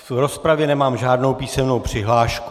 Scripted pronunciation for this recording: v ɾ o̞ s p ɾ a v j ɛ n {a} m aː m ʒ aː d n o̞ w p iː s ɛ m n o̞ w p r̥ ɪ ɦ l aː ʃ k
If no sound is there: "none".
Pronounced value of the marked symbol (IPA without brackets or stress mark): ɛ